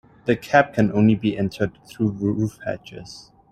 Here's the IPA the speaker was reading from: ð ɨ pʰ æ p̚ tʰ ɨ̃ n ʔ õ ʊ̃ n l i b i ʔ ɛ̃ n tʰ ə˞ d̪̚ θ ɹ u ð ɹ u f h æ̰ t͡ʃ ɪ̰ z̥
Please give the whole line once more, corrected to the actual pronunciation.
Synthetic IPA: ð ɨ kʰ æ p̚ kʰ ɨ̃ n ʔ õ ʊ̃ n l i b i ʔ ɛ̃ n tʰ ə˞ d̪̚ θ ɹ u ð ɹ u f h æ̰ t͡ʃ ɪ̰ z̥